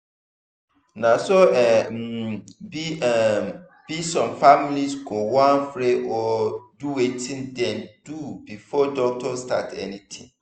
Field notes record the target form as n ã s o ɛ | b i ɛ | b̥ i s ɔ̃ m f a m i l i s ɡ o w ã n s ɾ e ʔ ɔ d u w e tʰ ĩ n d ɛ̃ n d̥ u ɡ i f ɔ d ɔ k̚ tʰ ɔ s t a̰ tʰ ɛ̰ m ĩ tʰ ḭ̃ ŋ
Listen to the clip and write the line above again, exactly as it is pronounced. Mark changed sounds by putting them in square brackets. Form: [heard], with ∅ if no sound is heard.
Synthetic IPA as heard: n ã s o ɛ | b i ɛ | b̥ i s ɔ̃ m f a m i l i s ɡ o w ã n [f] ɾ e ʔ ɔ d u w e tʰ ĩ n d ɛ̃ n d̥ u [b] i f ɔ d ɔ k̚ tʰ ɔ s t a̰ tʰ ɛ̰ [n] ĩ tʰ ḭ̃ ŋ